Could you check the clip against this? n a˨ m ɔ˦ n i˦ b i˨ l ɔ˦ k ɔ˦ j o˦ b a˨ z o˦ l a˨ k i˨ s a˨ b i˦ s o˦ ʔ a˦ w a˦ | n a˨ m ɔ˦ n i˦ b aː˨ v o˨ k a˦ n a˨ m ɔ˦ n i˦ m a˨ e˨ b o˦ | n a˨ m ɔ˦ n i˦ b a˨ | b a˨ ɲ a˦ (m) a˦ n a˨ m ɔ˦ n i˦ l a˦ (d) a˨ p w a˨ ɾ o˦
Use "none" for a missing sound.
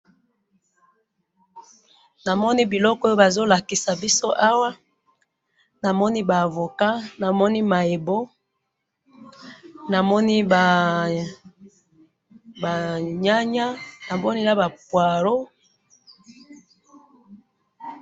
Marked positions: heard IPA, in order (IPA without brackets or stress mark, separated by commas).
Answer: ɲ, b